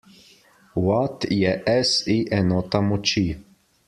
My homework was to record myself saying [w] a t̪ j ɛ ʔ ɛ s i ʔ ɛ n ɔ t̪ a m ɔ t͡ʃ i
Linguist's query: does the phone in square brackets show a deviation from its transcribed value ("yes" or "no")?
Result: no